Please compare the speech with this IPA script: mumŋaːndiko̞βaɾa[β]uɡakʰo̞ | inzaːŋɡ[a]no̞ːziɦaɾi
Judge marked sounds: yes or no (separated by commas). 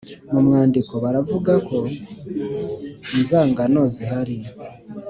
no, yes